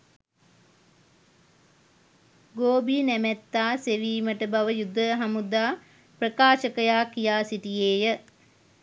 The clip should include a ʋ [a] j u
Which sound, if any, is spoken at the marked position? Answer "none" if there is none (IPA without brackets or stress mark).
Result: ə